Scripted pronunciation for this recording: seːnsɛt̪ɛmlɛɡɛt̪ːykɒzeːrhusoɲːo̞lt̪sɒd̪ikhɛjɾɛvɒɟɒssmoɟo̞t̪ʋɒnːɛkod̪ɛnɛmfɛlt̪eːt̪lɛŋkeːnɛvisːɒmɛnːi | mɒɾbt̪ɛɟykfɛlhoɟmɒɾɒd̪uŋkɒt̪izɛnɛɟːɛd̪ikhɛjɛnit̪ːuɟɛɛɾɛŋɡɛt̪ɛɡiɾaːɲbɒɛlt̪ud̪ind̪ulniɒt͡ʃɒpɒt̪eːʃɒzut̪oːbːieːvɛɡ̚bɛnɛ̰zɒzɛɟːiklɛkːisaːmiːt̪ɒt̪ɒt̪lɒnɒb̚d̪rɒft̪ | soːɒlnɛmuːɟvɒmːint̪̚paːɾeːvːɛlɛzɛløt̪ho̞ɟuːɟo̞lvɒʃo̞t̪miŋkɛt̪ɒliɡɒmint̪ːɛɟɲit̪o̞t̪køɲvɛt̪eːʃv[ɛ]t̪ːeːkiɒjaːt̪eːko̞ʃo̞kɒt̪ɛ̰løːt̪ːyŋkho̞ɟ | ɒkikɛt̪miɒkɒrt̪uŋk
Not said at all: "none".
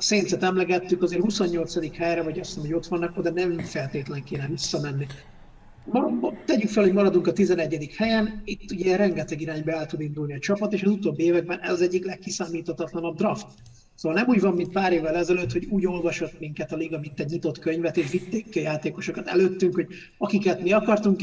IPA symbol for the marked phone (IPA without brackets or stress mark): i